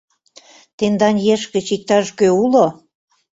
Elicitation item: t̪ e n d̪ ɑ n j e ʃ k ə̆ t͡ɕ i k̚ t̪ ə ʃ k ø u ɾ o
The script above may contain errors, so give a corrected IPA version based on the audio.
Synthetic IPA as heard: t̪ e n d̪ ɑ n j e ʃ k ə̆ t͡ɕ i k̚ t̪ ɑ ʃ k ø u l o